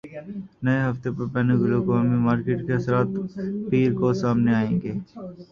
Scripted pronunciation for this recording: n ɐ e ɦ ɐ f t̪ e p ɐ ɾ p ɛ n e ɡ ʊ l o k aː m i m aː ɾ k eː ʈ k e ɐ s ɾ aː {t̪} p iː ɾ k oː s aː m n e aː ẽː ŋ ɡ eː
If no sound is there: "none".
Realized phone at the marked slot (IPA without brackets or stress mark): t̪